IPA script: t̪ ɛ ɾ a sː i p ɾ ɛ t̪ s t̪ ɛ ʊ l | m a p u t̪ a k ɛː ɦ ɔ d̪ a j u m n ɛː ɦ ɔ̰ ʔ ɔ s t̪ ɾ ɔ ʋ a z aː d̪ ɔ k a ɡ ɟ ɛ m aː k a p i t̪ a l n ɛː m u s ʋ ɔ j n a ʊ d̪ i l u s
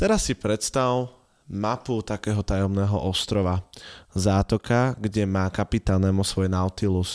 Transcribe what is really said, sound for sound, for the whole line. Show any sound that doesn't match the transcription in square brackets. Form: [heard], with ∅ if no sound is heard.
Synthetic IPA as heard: t̪ ɛ ɾ a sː i p ɾ ɛ t̪ s t̪ [a] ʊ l | m a p u t̪ a k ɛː ɦ ɔ [t̪] a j [ɔ] m n ɛː ɦ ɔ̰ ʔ ɔ s t̪ ɾ ɔ ʋ a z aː [t̪] ɔ k a ɡ ɟ ɛ m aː k a p i t̪ a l n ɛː m u s ʋ ɔ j n a ʊ [t̪] i l u s